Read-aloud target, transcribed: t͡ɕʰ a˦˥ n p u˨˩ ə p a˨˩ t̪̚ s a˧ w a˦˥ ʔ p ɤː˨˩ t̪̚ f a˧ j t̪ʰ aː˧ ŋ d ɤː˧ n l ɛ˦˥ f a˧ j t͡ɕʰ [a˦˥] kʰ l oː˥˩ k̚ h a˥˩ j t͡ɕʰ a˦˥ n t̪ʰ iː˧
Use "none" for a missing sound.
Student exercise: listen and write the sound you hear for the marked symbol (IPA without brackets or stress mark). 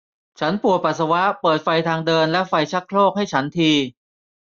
a˦˥